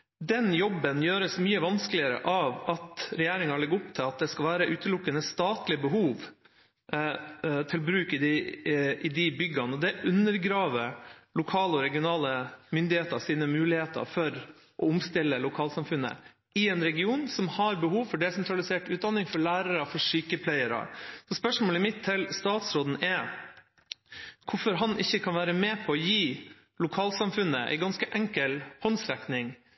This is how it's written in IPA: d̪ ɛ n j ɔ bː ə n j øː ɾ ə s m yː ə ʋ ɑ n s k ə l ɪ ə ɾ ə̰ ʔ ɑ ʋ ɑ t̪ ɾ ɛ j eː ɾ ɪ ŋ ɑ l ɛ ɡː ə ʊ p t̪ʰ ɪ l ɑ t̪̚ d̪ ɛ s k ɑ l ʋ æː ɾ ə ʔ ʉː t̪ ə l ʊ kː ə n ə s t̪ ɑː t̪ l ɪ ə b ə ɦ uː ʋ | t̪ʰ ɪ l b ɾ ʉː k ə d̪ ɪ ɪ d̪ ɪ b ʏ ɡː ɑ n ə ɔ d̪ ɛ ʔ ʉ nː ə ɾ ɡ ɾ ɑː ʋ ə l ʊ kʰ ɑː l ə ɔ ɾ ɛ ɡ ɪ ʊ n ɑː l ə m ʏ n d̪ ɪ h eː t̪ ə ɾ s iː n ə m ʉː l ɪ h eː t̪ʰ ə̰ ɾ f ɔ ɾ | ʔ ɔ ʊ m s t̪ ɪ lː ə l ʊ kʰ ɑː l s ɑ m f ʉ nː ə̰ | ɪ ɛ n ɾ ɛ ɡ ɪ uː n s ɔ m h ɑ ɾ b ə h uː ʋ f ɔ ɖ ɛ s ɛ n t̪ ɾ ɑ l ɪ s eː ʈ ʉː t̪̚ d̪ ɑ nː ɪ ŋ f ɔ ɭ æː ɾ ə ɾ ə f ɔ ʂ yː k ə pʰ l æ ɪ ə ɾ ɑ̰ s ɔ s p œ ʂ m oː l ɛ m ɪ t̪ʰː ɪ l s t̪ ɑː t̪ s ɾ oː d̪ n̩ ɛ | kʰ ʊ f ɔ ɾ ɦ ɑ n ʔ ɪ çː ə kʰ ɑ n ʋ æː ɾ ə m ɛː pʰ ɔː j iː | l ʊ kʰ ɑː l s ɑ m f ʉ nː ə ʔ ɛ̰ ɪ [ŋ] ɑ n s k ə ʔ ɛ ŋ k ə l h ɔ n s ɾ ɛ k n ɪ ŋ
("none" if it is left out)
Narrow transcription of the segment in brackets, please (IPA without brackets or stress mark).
ɡ